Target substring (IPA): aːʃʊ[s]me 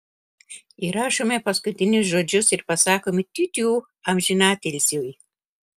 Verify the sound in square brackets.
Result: incorrect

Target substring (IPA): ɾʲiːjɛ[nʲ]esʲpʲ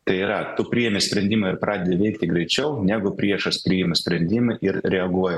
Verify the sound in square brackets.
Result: incorrect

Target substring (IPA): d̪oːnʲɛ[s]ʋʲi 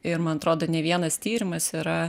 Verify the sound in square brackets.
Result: incorrect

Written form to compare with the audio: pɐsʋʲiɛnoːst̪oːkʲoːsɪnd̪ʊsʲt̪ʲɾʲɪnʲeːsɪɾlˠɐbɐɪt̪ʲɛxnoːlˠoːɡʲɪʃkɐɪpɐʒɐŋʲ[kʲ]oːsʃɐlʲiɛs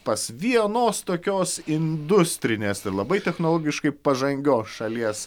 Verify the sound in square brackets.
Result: incorrect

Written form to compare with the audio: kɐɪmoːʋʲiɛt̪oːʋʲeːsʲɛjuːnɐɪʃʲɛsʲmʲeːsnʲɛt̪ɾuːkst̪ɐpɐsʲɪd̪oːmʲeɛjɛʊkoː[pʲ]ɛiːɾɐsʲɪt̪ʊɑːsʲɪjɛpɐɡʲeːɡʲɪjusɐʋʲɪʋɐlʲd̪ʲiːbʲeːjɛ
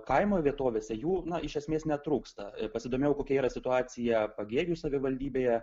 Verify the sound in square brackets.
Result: incorrect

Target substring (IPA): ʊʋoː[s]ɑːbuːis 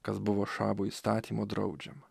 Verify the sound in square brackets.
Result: incorrect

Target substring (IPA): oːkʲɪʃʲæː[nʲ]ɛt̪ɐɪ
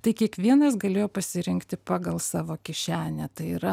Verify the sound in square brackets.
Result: correct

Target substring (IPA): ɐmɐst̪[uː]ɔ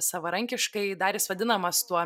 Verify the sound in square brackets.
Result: incorrect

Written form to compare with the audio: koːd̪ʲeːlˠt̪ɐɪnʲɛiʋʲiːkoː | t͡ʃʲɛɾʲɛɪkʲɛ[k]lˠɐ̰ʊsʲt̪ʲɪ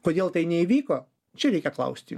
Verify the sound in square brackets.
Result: correct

